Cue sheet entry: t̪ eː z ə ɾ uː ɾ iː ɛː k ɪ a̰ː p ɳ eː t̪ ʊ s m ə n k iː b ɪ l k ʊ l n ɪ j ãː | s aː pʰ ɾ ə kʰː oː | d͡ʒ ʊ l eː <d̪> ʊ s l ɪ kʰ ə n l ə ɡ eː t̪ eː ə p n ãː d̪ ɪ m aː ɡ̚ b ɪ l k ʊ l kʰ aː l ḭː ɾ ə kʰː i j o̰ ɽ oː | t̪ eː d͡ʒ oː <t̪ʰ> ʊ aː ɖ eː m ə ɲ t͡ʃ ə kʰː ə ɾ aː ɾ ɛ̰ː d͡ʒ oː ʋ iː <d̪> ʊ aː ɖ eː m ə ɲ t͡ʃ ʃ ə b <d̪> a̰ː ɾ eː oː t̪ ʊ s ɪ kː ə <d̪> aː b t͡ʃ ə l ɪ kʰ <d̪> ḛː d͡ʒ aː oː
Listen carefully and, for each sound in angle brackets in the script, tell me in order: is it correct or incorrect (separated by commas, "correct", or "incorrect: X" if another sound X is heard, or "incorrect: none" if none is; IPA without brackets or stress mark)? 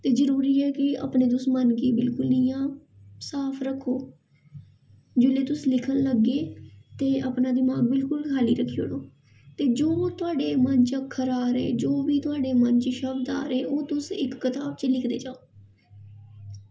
incorrect: t̪, incorrect: t̪, incorrect: t̪, correct, incorrect: t̪, correct